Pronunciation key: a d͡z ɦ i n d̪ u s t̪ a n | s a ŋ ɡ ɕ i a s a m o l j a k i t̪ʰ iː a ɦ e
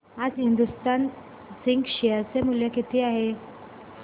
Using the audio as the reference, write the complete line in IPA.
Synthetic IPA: a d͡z ɦ i n d̪ u s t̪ a n | s i ŋ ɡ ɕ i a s e m u l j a k i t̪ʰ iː a ɦ e